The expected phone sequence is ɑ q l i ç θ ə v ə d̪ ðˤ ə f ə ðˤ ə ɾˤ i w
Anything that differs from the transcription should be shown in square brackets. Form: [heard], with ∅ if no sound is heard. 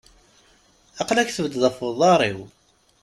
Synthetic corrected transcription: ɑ q l [æ] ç θ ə v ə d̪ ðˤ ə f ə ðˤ [ɑ] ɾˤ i w